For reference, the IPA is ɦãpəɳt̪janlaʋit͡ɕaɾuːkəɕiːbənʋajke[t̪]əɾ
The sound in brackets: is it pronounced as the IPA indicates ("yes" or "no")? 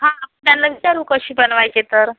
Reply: yes